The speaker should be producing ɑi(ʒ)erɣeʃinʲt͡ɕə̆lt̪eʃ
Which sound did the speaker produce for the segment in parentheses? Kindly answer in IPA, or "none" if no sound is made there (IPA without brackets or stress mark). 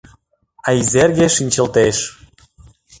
z